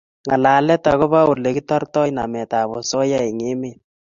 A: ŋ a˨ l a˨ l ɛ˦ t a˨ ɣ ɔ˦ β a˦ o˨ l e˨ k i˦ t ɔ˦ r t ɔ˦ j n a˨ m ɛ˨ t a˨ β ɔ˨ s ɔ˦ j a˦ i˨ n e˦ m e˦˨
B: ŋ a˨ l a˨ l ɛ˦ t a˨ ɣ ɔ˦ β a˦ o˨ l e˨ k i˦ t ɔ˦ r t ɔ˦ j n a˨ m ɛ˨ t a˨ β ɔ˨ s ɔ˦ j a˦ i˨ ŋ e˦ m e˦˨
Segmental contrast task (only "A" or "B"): B